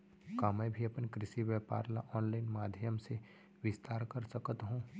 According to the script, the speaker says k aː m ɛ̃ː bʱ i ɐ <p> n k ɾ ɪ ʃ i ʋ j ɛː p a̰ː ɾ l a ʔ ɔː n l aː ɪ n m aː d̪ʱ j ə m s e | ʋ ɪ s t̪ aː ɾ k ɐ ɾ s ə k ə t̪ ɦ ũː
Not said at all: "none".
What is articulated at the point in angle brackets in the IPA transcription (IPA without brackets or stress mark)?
p